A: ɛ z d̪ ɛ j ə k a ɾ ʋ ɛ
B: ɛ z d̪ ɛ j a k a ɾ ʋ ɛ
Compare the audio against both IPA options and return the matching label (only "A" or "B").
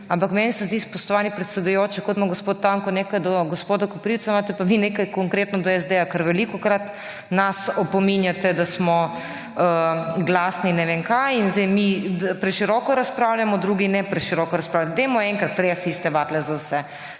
B